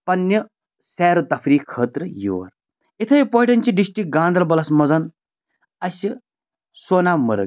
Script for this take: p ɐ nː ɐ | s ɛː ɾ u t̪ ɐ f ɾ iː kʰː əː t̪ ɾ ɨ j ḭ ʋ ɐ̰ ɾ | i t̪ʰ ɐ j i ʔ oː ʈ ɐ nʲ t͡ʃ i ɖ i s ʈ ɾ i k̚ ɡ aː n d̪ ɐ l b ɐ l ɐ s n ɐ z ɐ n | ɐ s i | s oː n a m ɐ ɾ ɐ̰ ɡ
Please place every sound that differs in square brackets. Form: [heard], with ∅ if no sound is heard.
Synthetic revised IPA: p ɐ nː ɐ | s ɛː ɾ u t̪ ɐ f ɾ iː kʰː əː t̪ ɾ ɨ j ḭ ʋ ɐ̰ ɾ | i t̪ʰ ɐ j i [p] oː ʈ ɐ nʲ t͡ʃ i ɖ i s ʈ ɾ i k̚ ɡ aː n d̪ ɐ l b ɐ l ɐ s [m] ɐ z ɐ n | ɐ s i | s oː n a m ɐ ɾ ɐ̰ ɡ